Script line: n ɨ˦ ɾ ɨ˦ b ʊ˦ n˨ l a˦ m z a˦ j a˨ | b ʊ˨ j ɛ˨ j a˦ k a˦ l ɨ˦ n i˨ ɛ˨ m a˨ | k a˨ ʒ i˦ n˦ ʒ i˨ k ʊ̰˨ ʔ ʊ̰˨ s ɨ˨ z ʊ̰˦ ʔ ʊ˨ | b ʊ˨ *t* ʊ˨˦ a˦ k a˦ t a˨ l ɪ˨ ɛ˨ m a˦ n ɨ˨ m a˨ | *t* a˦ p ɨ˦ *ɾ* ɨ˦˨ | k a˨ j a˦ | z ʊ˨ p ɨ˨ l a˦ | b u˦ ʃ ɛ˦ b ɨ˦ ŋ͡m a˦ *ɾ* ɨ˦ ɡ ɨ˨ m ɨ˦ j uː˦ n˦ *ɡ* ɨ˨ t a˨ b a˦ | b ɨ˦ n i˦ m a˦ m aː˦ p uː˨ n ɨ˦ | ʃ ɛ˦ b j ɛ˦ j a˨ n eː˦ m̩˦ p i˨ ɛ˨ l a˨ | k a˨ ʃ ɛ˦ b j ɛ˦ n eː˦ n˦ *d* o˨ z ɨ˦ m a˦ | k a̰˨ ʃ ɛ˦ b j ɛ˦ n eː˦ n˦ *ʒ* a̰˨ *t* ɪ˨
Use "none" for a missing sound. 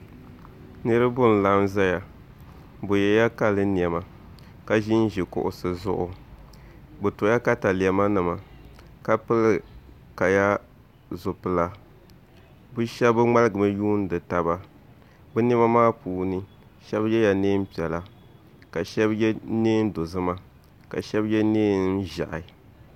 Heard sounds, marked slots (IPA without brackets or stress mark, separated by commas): t, k, l, l, d, d, ʒ, ʔ